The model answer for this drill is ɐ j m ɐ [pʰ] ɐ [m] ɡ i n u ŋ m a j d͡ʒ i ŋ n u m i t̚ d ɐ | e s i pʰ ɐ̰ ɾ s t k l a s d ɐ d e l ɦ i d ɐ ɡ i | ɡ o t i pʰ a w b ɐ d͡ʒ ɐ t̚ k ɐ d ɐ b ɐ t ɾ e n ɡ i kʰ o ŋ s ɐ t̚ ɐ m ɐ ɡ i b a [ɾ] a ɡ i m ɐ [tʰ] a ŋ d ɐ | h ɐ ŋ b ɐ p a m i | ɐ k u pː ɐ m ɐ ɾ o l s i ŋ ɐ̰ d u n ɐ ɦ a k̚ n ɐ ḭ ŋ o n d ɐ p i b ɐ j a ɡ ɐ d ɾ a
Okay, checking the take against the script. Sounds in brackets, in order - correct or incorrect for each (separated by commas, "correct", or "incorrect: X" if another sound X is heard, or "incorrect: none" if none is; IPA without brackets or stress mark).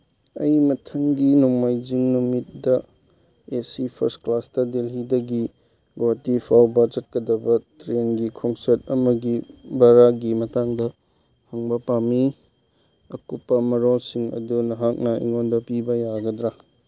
incorrect: tʰ, incorrect: ŋ, correct, incorrect: t